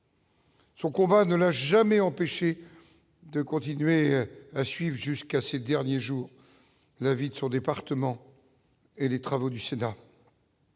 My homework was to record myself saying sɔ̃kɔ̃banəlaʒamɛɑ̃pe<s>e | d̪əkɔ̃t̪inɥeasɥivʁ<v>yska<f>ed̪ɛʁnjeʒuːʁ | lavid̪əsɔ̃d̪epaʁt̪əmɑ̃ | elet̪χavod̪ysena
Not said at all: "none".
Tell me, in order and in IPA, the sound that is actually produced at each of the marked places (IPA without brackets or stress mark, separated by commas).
ʃ, ʒ, s